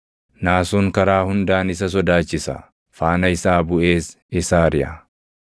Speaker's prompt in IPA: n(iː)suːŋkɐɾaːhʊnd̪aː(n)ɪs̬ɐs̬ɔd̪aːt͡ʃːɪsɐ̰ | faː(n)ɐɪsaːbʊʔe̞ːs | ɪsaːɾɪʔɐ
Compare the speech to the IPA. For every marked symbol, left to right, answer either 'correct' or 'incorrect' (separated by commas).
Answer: incorrect, correct, correct